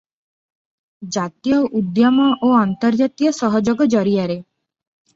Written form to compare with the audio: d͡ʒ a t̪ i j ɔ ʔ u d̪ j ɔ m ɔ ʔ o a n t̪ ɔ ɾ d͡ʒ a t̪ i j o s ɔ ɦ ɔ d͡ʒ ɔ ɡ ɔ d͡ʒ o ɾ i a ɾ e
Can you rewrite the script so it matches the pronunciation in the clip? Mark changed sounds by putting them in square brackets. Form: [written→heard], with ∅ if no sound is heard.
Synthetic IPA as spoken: d͡ʒ a t̪ i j ɔ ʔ u d̪ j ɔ m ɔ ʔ o a n t̪ ɔ ɾ d͡ʒ a t̪ i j [o→ɔ] s ɔ ɦ ɔ d͡ʒ ɔ ɡ ɔ d͡ʒ [o→ɔ] ɾ i a ɾ e